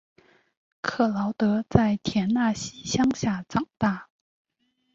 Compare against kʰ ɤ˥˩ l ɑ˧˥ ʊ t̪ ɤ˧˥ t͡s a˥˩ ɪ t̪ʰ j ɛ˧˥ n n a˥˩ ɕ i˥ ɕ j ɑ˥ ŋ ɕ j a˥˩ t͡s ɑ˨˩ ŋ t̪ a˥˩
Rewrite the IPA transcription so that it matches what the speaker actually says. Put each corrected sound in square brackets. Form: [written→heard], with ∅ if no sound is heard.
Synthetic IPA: kʰ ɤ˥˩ l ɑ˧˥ ʊ t̪ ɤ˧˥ t͡s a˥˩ ɪ t̪ʰ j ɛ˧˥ n n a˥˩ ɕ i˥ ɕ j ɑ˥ ŋ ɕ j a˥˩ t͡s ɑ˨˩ ŋ t̪ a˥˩